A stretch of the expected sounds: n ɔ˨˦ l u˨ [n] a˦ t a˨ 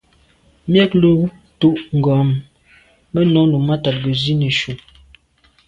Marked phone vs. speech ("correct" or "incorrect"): incorrect